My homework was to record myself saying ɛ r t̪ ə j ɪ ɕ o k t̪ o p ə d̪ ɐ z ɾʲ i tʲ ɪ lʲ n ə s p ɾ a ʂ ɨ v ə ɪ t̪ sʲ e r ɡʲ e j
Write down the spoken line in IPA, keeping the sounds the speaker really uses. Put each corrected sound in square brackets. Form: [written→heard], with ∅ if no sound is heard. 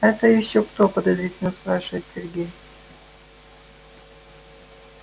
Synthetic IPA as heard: ɛ [r→∅] t̪ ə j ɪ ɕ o k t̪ o p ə d̪ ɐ z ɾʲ i tʲ ɪ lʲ n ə s p ɾ a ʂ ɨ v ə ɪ t̪ sʲ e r ɡʲ e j